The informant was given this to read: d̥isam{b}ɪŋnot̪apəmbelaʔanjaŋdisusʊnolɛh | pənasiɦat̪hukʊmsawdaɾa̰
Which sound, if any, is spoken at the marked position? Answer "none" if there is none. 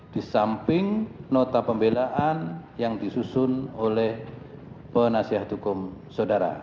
p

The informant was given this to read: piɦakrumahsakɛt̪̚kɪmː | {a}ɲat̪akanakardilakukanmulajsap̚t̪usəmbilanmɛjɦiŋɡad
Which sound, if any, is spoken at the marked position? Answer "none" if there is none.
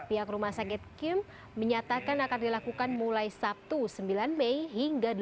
ə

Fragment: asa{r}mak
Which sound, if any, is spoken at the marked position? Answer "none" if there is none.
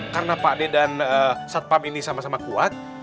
none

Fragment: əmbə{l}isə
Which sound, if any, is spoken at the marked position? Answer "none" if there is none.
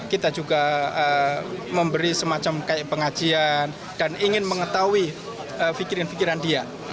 ɾ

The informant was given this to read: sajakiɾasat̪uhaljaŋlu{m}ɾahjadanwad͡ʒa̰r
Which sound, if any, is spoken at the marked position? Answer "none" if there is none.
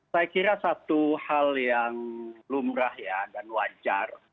m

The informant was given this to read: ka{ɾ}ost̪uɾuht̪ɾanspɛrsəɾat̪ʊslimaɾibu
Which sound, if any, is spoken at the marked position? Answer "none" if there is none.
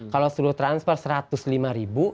l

